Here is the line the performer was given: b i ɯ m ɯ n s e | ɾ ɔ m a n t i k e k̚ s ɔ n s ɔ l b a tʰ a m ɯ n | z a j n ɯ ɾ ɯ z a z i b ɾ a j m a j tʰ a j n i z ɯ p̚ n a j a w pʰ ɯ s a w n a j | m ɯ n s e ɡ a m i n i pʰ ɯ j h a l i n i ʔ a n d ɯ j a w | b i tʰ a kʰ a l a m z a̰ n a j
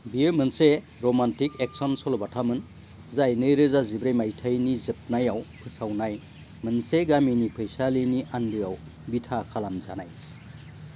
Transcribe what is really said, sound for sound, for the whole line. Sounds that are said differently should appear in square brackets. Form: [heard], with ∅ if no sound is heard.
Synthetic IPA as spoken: b i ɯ m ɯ n s e | ɾ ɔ m a n t i k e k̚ s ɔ n s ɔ l b a tʰ a m ɯ n | z a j n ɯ ɾ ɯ z a z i b ɾ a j m a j tʰ a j n i z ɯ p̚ n a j a w pʰ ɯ s a w n a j | m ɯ n s e ɡ a m i n i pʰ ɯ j [s] a l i n i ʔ a n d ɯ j a w | b i tʰ a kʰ a l a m z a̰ n a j